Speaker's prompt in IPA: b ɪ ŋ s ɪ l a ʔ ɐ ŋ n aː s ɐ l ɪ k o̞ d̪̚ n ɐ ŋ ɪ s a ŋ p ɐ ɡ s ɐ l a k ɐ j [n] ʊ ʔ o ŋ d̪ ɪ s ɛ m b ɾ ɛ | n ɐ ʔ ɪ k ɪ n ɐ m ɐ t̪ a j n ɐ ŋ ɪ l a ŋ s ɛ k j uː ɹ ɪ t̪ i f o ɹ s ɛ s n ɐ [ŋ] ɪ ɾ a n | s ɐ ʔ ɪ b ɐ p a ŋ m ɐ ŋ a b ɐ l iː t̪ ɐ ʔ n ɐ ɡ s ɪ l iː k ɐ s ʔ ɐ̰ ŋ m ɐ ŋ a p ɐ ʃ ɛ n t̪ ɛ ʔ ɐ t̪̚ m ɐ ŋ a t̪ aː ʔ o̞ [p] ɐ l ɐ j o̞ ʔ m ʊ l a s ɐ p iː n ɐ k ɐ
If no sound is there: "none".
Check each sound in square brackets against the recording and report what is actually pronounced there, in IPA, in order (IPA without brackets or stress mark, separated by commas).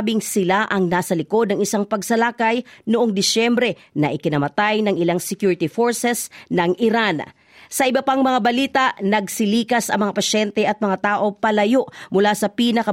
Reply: n, ŋ, p